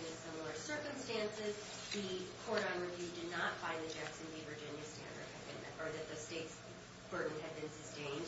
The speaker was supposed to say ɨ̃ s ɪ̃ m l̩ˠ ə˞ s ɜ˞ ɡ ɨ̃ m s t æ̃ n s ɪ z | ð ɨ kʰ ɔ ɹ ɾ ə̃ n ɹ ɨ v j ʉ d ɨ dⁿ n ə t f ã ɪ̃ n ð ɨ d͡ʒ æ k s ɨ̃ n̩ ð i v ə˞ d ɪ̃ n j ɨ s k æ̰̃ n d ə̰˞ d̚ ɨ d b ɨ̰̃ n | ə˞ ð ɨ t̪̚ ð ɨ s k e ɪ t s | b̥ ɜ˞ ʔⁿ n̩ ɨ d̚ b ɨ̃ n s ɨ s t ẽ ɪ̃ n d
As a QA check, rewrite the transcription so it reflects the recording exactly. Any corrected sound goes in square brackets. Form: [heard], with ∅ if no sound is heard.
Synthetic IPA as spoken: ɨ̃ s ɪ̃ m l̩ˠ ə˞ s ɜ˞ [k] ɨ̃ m s t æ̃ n s ɪ z | ð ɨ kʰ ɔ ɹ ɾ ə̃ n ɹ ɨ v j ʉ d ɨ dⁿ n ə t f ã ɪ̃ n ð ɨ d͡ʒ æ k s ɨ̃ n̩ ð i v ə˞ [d͡ʒ] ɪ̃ n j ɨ s [t] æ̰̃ n d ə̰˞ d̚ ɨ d b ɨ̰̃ n | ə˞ ð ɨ t̪̚ ð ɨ s [t] e ɪ t s | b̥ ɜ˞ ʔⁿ n̩ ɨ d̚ b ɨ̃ n s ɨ s t ẽ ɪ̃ n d